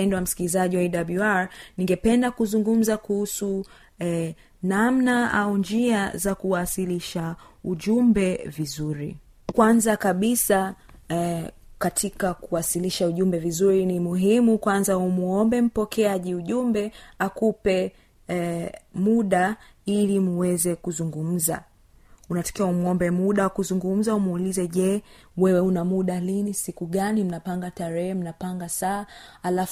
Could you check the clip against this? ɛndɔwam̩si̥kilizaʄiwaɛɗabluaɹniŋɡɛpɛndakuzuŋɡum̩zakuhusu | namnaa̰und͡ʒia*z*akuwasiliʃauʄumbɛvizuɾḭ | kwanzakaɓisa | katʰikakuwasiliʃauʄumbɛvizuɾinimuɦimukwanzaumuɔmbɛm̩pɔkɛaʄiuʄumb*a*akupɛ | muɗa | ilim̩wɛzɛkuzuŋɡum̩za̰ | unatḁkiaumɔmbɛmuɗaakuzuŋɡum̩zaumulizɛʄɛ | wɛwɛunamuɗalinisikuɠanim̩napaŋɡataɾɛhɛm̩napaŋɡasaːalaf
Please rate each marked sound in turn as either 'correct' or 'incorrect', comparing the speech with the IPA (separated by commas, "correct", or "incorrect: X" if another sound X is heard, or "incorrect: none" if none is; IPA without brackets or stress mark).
correct, incorrect: ɛ